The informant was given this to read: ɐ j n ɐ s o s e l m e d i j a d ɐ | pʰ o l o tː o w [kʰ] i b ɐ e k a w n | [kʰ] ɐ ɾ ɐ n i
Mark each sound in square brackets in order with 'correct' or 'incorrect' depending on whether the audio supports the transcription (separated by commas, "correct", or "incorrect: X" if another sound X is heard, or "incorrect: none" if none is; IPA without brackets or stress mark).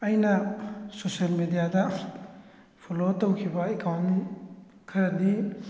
correct, correct